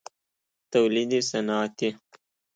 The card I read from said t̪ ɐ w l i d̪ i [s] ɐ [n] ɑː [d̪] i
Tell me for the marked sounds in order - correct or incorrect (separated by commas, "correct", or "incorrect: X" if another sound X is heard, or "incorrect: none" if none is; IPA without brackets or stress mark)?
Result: correct, correct, incorrect: t̪